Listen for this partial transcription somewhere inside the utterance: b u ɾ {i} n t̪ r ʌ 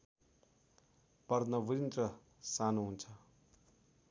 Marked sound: correct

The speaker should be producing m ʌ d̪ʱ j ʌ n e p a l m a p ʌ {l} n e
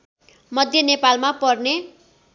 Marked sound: incorrect: r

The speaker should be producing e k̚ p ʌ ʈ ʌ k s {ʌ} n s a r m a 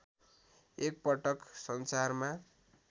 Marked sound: correct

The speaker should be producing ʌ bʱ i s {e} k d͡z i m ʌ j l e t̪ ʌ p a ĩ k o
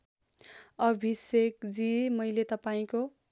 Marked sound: correct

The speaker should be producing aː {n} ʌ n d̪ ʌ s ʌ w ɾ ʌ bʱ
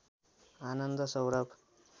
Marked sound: correct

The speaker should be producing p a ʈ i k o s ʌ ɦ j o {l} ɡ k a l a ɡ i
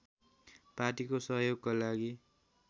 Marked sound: incorrect: none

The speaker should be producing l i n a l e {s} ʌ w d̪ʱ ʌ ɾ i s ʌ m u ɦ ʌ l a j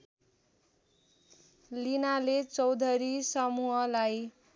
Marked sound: incorrect: t͡s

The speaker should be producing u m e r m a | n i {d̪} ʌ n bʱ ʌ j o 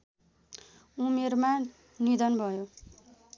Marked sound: correct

